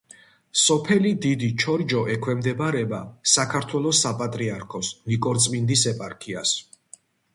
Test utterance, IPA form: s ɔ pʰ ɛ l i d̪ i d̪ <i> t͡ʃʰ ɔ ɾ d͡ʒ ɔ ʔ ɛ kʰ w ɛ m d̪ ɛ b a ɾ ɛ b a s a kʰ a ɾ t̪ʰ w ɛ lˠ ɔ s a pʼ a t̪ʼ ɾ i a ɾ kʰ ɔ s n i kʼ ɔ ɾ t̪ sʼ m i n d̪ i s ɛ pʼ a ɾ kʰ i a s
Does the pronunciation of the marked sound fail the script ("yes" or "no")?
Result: no